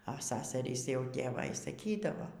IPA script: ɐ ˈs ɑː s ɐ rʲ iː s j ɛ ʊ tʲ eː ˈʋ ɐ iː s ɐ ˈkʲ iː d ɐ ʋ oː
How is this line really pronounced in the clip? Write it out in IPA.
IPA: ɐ ˈs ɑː s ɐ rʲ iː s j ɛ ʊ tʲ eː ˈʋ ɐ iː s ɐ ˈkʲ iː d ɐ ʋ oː